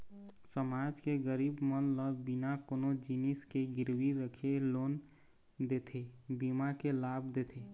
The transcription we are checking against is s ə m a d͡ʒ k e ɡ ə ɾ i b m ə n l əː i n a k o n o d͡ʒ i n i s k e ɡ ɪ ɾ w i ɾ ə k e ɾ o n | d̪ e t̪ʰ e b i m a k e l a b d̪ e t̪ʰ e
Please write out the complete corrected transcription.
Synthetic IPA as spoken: s ə m a d͡ʒ k e ɡ ə ɾ i b m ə n l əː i n a k o n o d͡ʒ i n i s k e ɡ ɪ ɾ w i ɾ ə kʰ e l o n | d̪ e t̪ʰ e b i m a k e l a b d̪ e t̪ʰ e